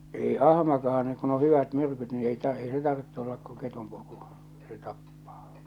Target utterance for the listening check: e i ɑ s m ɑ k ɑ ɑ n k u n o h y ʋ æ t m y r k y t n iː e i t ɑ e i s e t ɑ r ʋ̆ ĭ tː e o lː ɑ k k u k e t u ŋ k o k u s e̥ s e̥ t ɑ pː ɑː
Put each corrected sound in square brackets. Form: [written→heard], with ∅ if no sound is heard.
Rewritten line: e i ɑ [s→h] m ɑ k ɑ ɑ n k u n o h y ʋ æ t m y r k y t n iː e i t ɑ e i s e t ɑ r ʋ̆ ĭ tː e o lː ɑ k k u k e t u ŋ k o k u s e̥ s e̥ t ɑ pː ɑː